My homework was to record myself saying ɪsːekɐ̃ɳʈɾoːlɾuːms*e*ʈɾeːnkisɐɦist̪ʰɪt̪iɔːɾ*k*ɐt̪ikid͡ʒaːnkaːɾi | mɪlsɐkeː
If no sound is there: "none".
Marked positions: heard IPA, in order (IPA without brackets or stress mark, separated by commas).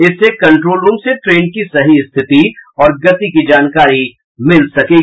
e, ɡ